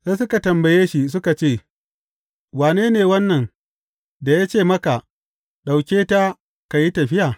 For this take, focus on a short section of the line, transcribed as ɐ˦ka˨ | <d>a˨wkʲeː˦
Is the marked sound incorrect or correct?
incorrect: ɗ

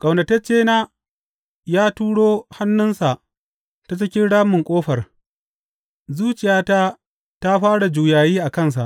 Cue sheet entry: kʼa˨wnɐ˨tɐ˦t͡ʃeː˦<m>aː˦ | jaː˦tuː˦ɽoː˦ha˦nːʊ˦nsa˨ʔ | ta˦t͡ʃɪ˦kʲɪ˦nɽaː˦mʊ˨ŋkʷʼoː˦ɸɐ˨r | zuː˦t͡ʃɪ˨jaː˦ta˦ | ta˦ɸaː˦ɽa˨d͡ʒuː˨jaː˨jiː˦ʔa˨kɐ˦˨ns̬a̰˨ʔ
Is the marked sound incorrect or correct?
incorrect: n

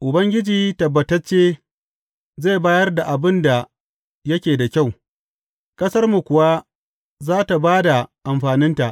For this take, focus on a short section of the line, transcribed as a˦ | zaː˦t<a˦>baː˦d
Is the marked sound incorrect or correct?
incorrect: a˨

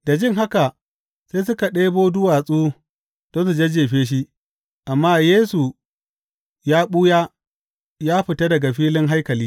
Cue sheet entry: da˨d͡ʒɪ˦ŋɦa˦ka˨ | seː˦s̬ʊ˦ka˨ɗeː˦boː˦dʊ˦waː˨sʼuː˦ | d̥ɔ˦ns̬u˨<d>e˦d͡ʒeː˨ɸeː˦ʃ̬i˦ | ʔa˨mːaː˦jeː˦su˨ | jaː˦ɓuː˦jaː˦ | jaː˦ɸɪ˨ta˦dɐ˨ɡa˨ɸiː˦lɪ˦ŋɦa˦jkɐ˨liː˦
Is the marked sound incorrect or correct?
incorrect: d͡ʒ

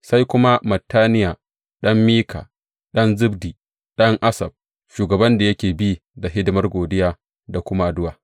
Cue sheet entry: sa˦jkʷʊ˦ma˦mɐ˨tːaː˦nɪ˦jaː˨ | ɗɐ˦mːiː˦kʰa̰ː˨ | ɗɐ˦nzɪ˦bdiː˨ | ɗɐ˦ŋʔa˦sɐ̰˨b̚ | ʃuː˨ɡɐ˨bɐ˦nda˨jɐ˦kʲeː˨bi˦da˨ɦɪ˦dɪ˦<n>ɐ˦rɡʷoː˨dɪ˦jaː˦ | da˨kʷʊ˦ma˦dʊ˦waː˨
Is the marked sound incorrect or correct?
incorrect: m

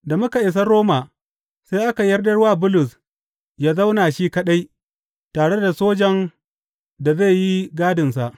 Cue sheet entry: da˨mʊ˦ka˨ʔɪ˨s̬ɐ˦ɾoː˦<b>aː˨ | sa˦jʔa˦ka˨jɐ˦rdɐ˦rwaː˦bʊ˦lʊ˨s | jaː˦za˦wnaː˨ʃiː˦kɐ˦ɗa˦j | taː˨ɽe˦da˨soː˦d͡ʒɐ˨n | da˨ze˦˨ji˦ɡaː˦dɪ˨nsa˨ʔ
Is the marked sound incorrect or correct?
incorrect: m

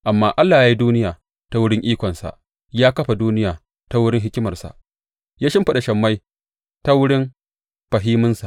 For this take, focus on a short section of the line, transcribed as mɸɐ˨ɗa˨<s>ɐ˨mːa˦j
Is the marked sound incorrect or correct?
incorrect: ʃ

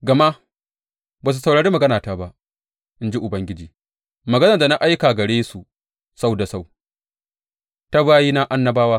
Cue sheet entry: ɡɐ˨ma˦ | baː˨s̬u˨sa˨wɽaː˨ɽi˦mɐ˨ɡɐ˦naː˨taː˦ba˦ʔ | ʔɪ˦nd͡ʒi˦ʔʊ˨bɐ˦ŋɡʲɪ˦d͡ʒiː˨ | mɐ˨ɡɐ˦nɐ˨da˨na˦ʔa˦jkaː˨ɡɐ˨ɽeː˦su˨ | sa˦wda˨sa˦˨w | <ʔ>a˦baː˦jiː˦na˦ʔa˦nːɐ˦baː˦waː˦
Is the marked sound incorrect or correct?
incorrect: t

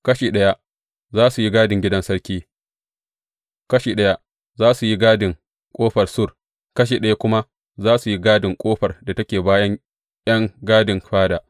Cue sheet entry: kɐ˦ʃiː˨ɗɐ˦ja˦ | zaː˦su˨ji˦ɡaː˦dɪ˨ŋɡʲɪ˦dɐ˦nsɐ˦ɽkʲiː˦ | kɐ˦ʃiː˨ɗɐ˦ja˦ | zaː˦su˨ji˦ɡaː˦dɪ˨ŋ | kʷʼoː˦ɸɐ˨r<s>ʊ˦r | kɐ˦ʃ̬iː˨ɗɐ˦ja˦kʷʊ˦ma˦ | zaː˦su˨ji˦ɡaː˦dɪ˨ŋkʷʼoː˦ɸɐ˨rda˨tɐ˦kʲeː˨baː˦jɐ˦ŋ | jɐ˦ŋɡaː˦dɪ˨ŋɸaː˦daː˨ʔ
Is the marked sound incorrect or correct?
correct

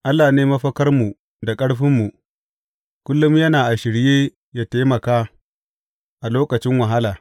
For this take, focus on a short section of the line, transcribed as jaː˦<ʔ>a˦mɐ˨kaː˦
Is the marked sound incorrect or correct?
incorrect: t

